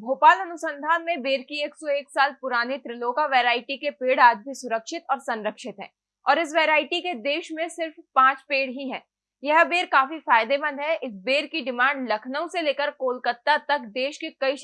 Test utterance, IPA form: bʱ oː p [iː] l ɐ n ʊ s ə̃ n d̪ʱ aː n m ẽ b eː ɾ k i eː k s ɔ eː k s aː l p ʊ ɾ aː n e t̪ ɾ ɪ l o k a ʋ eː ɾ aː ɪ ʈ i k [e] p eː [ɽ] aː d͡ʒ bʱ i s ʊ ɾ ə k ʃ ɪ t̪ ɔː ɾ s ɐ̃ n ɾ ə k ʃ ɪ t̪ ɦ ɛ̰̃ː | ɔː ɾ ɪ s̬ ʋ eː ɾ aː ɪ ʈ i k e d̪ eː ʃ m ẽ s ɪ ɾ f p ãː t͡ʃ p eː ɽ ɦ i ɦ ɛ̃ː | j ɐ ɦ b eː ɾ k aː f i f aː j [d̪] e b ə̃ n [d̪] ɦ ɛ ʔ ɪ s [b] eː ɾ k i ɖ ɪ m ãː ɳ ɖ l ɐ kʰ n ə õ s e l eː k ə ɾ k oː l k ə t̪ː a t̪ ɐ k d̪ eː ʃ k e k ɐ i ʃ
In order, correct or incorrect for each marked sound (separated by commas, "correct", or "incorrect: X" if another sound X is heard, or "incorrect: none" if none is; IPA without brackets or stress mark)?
incorrect: aː, correct, correct, correct, correct, correct